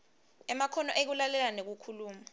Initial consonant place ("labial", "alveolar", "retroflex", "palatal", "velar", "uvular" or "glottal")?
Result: labial